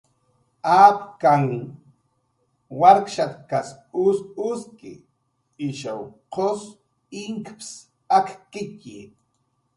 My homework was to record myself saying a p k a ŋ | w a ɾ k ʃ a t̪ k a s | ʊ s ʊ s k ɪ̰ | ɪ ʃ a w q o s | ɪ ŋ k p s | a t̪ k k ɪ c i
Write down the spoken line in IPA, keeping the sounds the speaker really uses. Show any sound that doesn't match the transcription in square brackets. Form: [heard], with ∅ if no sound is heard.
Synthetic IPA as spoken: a p k a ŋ | w a ɾ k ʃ a t̪ k a s | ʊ s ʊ s k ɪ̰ | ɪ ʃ a w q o s | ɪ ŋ k p s | a [∅] k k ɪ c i